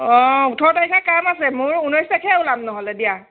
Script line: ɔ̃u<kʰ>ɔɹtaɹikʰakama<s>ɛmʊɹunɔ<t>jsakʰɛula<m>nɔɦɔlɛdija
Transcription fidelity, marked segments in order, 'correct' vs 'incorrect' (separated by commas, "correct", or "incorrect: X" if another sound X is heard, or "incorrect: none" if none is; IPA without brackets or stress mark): incorrect: tʰ, correct, incorrect: none, correct